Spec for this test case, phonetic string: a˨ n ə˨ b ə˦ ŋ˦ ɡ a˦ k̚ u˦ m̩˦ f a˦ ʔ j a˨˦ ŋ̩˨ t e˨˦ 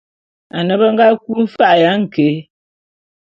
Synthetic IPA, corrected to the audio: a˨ n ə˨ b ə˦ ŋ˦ ɡ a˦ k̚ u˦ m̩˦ f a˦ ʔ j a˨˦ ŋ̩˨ k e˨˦